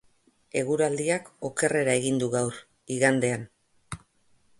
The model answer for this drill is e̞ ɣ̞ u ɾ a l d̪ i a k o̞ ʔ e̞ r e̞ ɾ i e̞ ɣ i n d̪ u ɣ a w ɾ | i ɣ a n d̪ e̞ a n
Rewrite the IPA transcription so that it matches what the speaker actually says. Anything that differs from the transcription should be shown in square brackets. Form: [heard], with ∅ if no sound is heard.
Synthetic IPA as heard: e̞ ɣ̞ u ɾ a l d̪ i a k o̞ [k] e̞ r e̞ ɾ [a] e̞ ɣ i n d̪ u ɣ a w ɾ | i ɣ a n d̪ e̞ a n

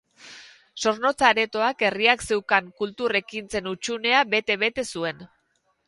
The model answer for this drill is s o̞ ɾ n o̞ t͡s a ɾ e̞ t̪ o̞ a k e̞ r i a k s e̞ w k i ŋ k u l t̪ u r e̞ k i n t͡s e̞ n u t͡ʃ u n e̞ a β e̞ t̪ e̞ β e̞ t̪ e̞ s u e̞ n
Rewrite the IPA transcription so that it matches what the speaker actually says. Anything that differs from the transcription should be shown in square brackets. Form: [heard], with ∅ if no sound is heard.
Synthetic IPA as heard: s o̞ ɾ n o̞ t͡s a ɾ e̞ t̪ o̞ a k e̞ r i a k s e̞ w k [a] ŋ k u l t̪ u r e̞ k i n t͡s e̞ n u t͡ʃ u n e̞ a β e̞ t̪ e̞ β e̞ t̪ e̞ s u e̞ n

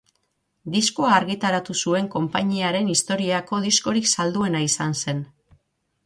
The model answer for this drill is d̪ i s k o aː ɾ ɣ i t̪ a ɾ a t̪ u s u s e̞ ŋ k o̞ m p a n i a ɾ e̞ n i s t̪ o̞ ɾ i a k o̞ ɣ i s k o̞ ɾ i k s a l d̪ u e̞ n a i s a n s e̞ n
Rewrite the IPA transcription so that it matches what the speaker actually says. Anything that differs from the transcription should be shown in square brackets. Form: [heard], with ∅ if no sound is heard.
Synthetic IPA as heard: d̪ i s k o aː ɾ ɣ i t̪ a ɾ a t̪ u s u [∅] e̞ ŋ k o̞ m p a [ɲ] i a ɾ e̞ n i s t̪ o̞ ɾ i a k o̞ [ð] i s k o̞ ɾ i k s a l d̪ u e̞ n a i s a n s e̞ n

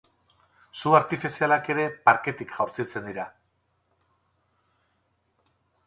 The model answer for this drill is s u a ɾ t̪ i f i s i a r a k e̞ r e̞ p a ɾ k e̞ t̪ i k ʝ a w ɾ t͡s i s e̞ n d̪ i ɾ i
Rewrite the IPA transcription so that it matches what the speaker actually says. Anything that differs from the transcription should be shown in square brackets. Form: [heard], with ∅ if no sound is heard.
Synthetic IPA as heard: s u a ɾ t̪ i f i s i a [l] a k e̞ [ɾ] e̞ p a ɾ k e̞ t̪ i k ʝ a w ɾ t͡s i [t͡s] e̞ n d̪ i ɾ [a]

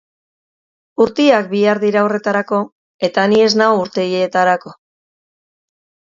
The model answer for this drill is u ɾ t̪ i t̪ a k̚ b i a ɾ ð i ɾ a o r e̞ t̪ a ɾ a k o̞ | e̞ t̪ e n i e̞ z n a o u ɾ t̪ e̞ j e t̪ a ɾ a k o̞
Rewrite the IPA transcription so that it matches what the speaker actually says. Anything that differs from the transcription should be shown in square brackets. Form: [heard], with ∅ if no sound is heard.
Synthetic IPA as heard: u ɾ t̪ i [∅] a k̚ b i a ɾ ð i ɾ a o r e̞ t̪ a ɾ a k o̞ | e̞ t̪ [a] n i e̞ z n a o u ɾ t̪ e̞ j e t̪ a ɾ a k o̞

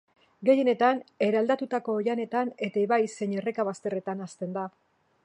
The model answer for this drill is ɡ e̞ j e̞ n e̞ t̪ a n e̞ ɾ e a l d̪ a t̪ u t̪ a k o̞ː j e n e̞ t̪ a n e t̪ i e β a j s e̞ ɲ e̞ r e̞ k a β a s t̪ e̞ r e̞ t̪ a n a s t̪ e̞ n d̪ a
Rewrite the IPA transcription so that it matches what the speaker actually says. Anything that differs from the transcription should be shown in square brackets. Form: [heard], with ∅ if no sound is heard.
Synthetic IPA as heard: ɡ e̞ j e̞ n e̞ t̪ a n e̞ ɾ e a l d̪ a t̪ u t̪ a k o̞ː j [a] n e̞ t̪ a n e t̪ [a] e β a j s e̞ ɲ e̞ r e̞ k a β a s t̪ e̞ r e̞ t̪ a n a s t̪ e̞ n d̪ a

